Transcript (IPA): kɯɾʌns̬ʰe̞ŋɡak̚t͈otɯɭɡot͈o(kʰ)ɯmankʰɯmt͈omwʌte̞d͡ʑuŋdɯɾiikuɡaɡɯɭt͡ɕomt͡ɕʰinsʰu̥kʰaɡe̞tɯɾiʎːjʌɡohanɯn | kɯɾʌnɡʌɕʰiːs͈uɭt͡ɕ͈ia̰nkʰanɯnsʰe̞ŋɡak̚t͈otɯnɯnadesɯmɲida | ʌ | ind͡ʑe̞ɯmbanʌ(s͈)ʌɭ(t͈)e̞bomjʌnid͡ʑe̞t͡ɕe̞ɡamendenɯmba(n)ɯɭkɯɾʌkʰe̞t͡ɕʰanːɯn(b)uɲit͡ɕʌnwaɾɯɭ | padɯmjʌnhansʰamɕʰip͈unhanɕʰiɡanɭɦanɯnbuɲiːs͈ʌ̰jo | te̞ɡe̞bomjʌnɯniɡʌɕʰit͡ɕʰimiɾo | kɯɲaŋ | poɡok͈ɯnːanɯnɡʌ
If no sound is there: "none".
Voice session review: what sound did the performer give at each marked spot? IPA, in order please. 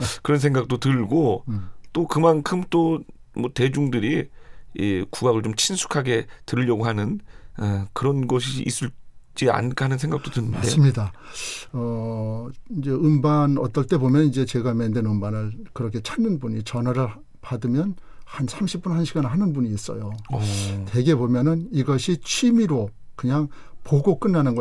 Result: k, t͈, t͈, n, b

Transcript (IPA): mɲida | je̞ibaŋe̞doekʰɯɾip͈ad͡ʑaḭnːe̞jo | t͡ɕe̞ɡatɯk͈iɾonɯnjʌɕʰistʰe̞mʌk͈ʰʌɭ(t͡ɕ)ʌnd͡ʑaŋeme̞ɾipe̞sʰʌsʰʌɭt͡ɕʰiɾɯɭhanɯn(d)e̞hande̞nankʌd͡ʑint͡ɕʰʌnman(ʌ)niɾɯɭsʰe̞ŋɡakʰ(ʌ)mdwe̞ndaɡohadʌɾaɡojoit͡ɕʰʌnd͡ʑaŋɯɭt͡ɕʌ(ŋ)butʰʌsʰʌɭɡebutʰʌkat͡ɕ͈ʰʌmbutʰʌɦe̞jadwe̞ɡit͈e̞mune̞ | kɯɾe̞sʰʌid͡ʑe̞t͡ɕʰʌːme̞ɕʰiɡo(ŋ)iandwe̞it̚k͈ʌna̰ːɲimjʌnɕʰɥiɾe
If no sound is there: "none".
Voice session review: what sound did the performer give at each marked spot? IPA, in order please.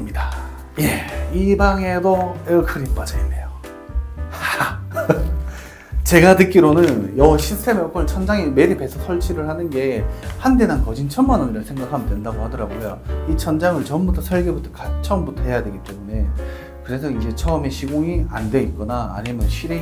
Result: t͡ɕʰ, ɡ, ʌ, a, m, ŋ

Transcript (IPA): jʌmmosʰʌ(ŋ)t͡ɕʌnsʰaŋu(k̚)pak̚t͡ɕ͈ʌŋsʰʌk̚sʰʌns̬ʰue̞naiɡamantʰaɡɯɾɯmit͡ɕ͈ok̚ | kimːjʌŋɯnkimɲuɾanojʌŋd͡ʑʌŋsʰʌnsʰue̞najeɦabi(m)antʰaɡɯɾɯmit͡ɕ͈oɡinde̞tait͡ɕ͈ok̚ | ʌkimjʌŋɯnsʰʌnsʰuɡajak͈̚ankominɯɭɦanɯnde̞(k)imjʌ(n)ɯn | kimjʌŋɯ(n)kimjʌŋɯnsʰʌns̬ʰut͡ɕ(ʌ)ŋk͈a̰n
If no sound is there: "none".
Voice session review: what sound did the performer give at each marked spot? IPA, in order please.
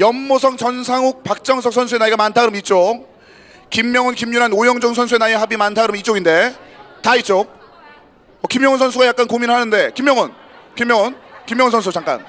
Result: ŋ, k̚, m, k, ŋ, n, a

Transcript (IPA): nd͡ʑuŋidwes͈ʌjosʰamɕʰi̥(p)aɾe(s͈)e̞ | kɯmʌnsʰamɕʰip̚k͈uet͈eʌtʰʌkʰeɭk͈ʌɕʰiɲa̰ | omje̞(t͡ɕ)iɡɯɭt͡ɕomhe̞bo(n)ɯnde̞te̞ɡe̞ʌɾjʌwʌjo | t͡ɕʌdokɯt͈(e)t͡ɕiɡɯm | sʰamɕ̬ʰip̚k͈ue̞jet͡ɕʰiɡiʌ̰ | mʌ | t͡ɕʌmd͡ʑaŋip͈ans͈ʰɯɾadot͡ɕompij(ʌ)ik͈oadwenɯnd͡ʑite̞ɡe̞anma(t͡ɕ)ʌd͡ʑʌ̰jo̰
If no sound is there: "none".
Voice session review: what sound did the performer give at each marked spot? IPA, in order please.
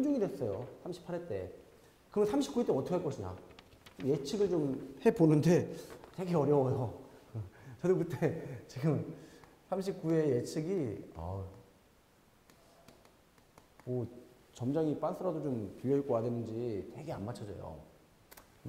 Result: pʰ, t͈, t͡ɕʰ, n, e, ʌ, t͡ɕʰ

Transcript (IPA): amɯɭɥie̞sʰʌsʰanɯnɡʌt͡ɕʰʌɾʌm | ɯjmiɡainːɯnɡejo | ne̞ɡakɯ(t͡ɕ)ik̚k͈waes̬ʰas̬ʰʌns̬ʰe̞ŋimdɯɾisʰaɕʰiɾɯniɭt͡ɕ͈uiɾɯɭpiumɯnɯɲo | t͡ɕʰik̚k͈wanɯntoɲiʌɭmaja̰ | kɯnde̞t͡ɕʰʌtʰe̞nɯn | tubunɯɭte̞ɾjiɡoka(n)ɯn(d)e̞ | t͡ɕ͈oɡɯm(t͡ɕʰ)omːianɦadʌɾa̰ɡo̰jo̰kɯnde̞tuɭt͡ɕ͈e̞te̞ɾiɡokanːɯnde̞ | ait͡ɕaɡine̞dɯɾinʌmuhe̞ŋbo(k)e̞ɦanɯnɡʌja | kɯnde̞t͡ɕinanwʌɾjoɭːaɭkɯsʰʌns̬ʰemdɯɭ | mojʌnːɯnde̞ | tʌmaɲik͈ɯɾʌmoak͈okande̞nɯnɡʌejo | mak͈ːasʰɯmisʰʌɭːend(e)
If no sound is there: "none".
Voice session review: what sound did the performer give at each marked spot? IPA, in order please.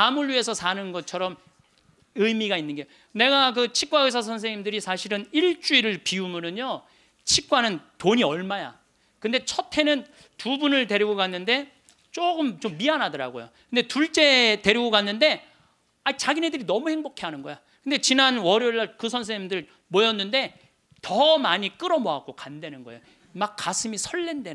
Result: t͡ɕʰ, nː, d, t͡ɕ, kʰ, e

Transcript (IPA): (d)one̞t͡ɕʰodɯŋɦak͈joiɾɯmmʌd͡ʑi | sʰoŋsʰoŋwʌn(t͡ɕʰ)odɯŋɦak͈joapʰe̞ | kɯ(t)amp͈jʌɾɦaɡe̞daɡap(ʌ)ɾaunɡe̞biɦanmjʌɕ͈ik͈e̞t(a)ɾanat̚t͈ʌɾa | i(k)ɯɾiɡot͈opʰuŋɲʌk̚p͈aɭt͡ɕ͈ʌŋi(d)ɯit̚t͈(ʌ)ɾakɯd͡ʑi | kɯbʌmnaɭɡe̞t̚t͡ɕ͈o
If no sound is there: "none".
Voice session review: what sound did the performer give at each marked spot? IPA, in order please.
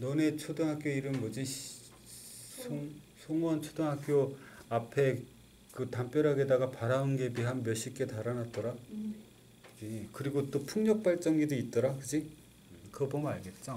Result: n, t͡ɕʰ, t, a, a, k, d, ʌ

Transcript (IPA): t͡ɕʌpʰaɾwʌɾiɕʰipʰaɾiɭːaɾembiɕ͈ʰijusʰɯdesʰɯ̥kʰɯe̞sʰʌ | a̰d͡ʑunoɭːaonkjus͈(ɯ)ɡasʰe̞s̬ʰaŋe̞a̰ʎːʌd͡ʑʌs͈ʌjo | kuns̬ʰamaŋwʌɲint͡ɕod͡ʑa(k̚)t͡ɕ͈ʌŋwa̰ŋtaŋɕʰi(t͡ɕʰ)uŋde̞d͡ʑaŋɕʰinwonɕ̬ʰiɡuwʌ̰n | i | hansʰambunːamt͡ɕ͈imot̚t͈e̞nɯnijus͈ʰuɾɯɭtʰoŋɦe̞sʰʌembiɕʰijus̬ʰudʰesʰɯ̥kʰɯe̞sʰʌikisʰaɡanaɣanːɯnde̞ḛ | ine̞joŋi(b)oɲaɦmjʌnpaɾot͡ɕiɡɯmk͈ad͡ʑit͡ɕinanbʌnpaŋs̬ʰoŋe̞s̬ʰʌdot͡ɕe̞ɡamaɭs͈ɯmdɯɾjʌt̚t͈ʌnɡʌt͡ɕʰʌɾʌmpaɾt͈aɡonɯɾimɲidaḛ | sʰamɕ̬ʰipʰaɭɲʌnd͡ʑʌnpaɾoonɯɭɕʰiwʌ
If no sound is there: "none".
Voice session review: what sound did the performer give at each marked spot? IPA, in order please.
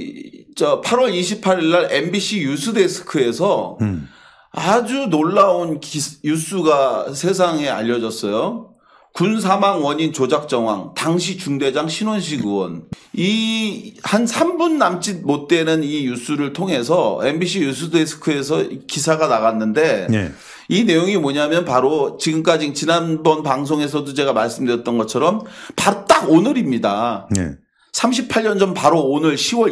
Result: u, k̚, t͡ɕ, m

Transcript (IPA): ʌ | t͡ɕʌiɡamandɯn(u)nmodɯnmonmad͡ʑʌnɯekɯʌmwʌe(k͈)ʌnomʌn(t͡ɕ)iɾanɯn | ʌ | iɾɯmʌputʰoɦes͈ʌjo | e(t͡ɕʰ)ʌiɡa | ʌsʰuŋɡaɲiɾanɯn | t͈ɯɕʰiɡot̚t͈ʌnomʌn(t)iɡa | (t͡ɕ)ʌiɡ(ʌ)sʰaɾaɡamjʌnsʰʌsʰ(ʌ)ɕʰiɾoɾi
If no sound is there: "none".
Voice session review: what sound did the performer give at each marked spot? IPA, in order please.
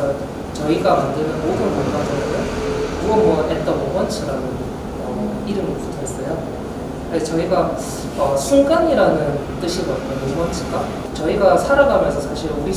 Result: ɯ, t͈, t͡ɕʰ, t͡ɕ, t͡ɕʰ, t͡ɕ, a, a

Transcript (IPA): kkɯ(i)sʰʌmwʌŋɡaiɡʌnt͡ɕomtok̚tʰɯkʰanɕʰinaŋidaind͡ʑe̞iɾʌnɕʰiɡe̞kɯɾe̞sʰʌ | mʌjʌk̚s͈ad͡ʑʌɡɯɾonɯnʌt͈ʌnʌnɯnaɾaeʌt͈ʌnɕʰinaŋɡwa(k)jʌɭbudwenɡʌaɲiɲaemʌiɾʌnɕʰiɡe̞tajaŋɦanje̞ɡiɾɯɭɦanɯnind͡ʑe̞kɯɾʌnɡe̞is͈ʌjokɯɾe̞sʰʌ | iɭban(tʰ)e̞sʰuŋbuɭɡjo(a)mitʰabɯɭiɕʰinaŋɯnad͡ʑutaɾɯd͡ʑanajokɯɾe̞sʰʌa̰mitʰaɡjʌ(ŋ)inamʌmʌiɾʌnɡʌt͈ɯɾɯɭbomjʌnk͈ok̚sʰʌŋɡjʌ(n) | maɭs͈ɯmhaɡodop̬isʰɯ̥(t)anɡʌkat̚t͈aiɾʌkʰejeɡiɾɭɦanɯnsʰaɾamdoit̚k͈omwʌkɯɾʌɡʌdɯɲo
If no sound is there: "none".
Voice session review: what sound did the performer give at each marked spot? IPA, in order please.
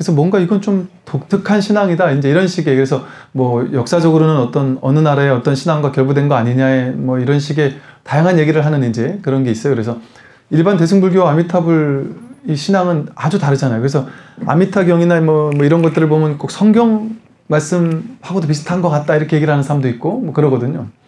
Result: e, k, t, a, ŋ, ŋ, tʰ

